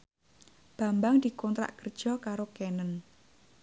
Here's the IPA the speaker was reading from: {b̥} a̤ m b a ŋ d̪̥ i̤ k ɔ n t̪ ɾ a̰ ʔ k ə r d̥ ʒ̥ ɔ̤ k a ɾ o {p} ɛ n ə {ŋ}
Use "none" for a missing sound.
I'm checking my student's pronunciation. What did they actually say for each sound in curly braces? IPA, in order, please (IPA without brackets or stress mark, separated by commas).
b̥, k, n